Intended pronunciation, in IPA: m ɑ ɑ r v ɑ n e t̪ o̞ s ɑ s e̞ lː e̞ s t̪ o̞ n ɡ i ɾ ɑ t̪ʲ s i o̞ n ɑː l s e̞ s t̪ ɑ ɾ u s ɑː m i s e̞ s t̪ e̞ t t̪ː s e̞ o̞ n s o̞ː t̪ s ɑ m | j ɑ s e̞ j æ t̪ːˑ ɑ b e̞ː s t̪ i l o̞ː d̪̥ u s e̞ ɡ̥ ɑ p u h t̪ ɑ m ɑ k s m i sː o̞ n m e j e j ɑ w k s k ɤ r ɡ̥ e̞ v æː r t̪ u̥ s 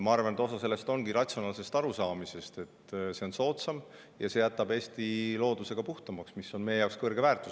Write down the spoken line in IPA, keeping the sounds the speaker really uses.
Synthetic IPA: m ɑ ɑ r v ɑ n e t̪ o̞ s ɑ s e̞ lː e̞ s t̪ o̞ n ɡ i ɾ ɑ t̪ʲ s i o̞ n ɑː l s e̞ s t̪ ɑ ɾ u s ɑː m i s e̞ s t̪ e̞ t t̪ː s e̞ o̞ n s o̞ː t̪ s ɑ m | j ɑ s e̞ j æ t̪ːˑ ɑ b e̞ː s t̪ i l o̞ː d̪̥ u s e̞ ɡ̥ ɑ p u h t̪ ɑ m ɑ k s m i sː o̞ n m e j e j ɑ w k s k ɤ r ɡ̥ e̞ v æː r t̪ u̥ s

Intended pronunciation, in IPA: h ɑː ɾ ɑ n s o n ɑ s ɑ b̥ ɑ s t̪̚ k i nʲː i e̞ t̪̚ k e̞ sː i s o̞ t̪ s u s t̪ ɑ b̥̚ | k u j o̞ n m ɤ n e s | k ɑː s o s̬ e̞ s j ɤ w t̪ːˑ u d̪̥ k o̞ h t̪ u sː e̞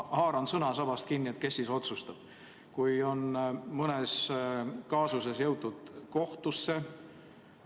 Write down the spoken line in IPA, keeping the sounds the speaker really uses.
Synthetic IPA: h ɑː ɾ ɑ n s ɤ n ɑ s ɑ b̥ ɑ s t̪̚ k i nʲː i e̞ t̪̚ k e̞ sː i s o̞ t̪ s u s t̪ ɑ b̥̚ | k u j o̞ n m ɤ n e s | k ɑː s u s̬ e̞ s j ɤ w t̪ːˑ u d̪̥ k o̞ h t̪ u sː e̞

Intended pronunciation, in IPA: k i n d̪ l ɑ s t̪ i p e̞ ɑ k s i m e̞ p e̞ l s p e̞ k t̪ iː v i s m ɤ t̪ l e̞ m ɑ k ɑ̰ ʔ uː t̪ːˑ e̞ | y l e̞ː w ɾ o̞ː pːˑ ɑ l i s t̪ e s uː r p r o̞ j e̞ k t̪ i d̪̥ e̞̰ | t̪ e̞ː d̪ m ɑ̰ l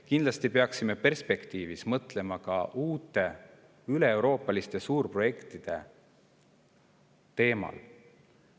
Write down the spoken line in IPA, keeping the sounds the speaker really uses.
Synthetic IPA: k i n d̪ l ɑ s t̪ i p e̞ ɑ k s i m e̞ p e̞ r s p e̞ k t̪ iː v i s m ɤ t̪ l e̞ m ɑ k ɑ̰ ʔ uː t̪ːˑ e̞ | y l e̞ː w ɾ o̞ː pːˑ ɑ l i s t̪ e s uː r p r o̞ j e̞ k t̪ i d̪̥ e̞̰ | t̪ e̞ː m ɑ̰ l

